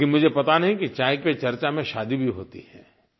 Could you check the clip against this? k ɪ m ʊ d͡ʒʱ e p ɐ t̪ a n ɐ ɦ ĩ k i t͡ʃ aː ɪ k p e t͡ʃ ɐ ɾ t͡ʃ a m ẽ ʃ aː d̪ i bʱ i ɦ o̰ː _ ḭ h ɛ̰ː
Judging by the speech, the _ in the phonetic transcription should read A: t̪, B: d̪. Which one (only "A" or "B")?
A